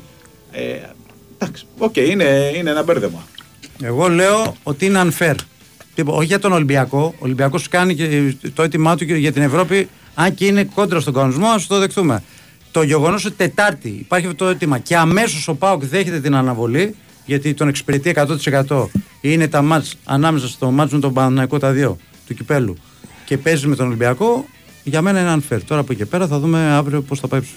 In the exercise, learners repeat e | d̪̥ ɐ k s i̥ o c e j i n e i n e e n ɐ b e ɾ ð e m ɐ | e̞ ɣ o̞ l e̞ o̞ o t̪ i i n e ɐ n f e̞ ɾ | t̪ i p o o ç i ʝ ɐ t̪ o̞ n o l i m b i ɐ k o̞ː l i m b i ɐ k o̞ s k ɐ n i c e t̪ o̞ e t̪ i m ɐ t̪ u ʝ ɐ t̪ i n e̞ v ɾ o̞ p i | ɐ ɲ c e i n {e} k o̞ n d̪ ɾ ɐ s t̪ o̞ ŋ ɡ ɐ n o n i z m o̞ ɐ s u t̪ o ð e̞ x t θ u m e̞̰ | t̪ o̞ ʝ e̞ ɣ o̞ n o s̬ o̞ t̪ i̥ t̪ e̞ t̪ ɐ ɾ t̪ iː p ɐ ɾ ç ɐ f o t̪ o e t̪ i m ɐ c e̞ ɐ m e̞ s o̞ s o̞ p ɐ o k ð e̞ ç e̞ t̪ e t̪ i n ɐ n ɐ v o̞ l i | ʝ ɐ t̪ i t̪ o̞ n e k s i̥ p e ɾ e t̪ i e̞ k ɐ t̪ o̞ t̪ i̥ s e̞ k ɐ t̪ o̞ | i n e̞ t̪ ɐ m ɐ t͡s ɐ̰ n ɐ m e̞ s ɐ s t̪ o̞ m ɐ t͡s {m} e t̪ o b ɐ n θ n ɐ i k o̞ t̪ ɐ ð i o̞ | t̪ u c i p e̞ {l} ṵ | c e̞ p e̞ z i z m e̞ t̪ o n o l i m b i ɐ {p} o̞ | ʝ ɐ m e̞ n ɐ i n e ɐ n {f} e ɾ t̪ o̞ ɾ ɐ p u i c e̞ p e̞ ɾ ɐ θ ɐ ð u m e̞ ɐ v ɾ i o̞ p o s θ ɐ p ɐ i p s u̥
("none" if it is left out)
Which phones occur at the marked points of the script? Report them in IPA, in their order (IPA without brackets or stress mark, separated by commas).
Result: e, m, l, k, f